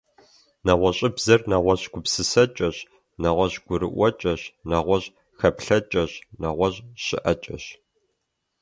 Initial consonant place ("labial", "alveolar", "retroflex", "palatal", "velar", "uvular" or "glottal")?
alveolar